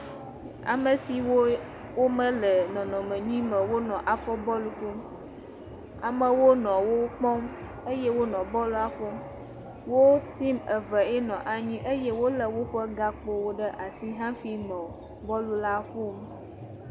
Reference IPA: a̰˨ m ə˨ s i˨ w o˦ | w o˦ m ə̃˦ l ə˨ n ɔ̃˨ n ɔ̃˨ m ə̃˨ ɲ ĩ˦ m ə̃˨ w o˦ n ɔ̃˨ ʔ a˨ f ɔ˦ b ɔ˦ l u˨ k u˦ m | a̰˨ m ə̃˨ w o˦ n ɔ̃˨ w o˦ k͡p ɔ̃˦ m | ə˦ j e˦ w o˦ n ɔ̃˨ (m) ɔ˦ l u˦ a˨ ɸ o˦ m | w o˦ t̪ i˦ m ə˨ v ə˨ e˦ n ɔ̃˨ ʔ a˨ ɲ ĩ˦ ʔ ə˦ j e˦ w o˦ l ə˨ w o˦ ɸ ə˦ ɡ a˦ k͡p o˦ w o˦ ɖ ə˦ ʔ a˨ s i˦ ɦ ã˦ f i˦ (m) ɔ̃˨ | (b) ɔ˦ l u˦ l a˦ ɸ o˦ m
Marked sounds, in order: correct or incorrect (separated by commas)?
incorrect, incorrect, correct